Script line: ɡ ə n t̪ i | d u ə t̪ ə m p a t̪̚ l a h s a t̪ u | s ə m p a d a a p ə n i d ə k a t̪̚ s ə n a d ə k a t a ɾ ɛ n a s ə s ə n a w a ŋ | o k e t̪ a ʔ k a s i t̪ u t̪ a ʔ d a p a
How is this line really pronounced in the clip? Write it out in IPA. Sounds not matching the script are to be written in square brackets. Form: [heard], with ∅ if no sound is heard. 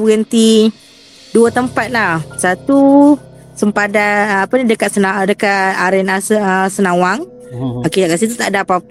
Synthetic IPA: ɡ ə n t̪ i | d u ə t̪ ə m p a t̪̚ l a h s a t̪ u | s ə m p a d a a p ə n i d ə k a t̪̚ s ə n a d ə k a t a ɾ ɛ n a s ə s ə n a w a ŋ | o k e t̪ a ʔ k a s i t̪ u t̪ a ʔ d a p a